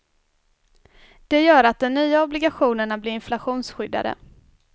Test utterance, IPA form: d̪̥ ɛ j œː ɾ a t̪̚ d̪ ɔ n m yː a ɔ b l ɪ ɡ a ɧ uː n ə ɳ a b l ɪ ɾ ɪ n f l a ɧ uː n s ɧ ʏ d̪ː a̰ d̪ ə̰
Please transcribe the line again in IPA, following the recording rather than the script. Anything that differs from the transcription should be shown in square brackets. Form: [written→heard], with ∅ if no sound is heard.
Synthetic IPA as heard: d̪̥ ɛ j œː ɾ a t̪̚ d̪ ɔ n [m→n] yː a ɔ b l ɪ ɡ a ɧ uː n ə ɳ a b l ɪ ɾ ɪ n f l a ɧ uː n s ɧ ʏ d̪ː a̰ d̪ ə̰